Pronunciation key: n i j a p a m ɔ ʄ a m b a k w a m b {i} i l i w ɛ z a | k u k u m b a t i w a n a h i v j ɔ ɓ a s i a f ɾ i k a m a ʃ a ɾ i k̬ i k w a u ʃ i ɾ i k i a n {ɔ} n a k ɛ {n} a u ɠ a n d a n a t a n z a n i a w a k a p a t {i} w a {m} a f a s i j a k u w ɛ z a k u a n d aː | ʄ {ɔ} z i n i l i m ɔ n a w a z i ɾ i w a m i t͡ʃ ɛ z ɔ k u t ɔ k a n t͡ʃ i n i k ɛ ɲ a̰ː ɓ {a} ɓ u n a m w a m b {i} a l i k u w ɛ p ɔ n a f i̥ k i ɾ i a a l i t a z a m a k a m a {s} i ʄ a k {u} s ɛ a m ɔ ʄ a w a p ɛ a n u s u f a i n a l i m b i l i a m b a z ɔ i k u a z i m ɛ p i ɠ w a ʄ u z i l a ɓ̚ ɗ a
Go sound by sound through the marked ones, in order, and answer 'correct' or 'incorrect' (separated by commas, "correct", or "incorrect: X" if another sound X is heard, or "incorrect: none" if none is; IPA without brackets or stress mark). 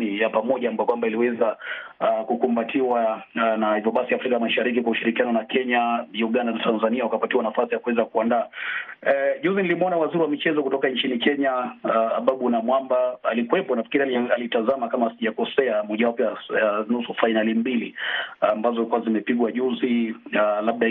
incorrect: a, correct, incorrect: ɲ, correct, incorrect: n, incorrect: u, correct, incorrect: a, correct, incorrect: ɔ